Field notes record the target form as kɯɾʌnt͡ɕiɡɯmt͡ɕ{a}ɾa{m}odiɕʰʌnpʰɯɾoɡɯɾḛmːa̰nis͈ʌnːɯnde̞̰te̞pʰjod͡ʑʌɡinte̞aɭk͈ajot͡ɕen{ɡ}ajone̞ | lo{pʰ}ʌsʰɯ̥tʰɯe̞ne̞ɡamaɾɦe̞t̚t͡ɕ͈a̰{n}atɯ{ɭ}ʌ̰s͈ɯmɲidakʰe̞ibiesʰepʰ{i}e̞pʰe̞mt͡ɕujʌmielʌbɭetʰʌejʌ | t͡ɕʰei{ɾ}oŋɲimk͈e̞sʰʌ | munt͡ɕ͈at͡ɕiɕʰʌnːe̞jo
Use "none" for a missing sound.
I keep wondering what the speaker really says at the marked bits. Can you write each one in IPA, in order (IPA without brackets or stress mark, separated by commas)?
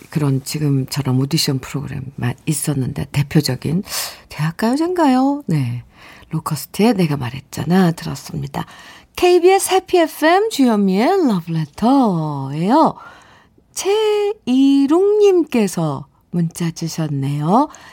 ʌ, m, ɡ, kʰ, n, ɾ, i, ɾ